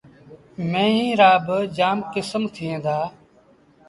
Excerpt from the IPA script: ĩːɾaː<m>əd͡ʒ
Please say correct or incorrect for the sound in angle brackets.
incorrect